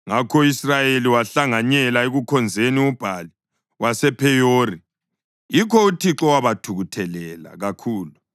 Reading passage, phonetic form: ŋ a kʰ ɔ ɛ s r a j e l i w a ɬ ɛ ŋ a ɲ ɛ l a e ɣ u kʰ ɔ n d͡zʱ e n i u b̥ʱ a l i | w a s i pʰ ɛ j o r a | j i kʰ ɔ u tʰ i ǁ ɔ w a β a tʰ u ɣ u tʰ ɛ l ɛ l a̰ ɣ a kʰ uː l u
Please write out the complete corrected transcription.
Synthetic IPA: ŋ a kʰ ɔ i s r a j e l i w a ɬ a ŋ a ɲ ɛ l a e ɣ u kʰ ɔ n d͡zʱ e n i u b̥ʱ a l i | w a s ɛ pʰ ɛ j o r i | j i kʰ ɔ u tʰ i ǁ ɔ w a β a tʰ u ɣ u tʰ ɛ l ɛ l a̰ ɣ a kʰ uː l u